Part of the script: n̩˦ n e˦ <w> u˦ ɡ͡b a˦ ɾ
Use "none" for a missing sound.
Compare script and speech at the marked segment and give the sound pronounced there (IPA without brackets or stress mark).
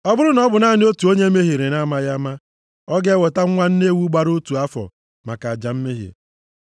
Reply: w